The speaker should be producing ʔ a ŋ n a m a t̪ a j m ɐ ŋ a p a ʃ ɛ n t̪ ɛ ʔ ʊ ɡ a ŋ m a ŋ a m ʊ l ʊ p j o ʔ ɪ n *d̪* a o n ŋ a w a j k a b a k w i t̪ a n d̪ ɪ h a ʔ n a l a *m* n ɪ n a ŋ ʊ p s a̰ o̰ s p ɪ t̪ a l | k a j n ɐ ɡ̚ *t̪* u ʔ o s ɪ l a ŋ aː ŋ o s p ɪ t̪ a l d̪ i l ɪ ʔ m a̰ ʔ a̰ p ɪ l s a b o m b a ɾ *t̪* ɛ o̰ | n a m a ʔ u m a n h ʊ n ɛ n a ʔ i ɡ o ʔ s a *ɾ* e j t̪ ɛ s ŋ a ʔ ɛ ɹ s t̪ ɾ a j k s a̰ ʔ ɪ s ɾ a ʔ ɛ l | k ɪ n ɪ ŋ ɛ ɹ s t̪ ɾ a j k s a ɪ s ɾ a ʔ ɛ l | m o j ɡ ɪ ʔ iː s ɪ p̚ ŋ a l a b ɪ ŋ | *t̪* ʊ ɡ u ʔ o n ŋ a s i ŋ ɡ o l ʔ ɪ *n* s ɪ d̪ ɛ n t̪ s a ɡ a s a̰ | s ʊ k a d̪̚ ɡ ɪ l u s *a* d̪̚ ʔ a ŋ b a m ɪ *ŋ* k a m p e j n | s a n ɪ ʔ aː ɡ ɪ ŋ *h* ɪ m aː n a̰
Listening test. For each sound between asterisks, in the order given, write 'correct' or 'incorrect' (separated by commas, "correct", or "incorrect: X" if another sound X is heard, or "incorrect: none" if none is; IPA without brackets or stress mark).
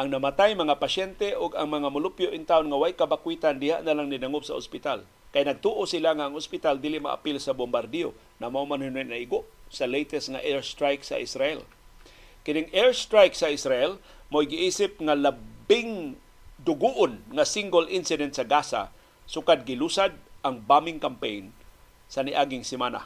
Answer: incorrect: t̪, incorrect: ŋ, correct, incorrect: d̪, incorrect: l, incorrect: d̪, correct, correct, correct, incorrect: s